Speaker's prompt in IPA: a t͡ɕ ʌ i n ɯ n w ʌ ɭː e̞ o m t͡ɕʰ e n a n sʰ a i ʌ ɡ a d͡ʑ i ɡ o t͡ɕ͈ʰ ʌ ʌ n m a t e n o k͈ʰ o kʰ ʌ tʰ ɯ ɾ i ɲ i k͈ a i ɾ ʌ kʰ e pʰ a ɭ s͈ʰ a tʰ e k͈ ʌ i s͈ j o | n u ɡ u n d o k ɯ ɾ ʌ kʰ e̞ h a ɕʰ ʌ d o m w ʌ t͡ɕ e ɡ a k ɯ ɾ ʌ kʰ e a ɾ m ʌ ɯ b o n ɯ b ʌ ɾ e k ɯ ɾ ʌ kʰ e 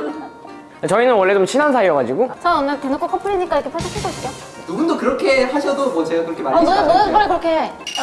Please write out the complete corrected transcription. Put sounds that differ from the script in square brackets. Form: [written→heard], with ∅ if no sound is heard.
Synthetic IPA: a t͡ɕ ʌ i n ɯ n w ʌ ɭː e̞ o m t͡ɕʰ [e→i] n a n sʰ a i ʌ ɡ a d͡ʑ i ɡ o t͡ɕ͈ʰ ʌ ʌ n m a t e n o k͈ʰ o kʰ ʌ [tʰ→pʰ] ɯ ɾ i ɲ i k͈ a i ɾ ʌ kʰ e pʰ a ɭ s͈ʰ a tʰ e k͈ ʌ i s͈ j o | n u ɡ u n d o k ɯ ɾ ʌ kʰ e̞ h a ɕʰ ʌ d o m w ʌ t͡ɕ e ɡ a k ɯ ɾ ʌ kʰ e a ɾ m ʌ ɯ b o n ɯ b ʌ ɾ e k ɯ ɾ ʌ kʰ e